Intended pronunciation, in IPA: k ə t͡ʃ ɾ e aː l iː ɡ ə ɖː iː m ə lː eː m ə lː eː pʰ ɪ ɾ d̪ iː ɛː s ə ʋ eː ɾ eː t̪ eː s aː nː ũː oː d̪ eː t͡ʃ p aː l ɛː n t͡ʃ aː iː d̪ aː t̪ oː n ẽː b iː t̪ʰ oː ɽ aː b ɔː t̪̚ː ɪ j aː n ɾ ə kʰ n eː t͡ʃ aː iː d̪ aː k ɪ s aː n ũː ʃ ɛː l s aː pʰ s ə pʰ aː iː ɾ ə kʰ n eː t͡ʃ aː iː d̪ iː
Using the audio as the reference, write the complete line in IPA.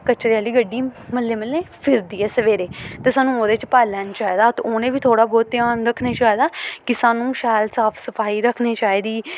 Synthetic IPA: k ə t͡ʃ ɾ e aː l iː ɡ ə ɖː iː m ə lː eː m ə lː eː pʰ ɪ ɾ d̪ iː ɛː s ə ʋ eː ɾ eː t̪ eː s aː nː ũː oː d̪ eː t͡ʃ p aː l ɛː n t͡ʃ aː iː d̪ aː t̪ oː n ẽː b iː t̪ʰ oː ɽ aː b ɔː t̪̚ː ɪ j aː n ɾ ə kʰ n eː t͡ʃ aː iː d̪ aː k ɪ s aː n ũː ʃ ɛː l s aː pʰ s ə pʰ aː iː ɾ ə kʰ n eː t͡ʃ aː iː d̪ iː